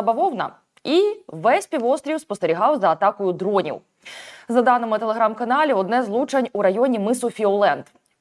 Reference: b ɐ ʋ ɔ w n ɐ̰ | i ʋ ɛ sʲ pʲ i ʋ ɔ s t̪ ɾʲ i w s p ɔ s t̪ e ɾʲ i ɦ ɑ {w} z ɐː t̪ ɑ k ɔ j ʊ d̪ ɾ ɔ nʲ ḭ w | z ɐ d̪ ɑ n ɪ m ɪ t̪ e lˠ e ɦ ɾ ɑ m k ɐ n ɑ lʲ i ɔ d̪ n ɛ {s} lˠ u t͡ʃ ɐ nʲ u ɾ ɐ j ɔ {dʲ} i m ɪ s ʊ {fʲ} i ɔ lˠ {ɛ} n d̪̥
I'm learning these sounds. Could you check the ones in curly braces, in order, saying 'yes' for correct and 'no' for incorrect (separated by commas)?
yes, no, no, yes, yes